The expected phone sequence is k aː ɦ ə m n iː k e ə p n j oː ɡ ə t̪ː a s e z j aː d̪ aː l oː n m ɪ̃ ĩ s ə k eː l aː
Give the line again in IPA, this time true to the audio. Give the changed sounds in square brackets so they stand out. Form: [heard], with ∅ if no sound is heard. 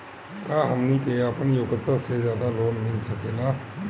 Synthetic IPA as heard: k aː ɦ ə m n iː k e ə p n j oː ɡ ə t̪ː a s e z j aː d̪ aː l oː n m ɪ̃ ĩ s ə k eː l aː